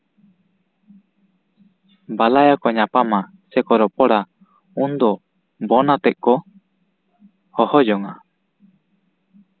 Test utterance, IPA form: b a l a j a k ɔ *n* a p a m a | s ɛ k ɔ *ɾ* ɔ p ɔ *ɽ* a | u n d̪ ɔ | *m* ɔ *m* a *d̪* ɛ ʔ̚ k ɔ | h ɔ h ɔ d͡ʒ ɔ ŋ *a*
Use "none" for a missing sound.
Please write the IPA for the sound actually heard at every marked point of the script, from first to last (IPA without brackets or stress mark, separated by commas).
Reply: ɲ, ɾ, ɽ, b, n, t̪, a